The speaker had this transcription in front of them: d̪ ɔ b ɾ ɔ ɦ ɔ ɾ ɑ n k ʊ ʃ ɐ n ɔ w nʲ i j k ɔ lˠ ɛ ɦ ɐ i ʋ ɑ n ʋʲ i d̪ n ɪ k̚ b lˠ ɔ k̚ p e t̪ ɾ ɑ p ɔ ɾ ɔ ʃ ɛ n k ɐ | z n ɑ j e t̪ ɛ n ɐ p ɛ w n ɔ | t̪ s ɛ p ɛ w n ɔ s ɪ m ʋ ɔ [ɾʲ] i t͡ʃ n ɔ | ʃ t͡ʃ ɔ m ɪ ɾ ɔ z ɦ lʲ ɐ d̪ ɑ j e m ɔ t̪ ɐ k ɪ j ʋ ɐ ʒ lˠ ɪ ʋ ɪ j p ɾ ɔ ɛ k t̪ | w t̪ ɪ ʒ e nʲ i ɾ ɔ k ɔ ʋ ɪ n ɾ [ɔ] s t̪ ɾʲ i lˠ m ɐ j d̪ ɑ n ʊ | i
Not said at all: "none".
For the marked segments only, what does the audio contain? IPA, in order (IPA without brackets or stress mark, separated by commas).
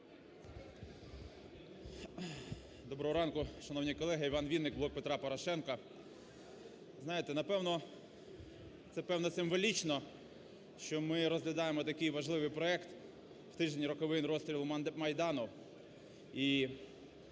lʲ, ɔ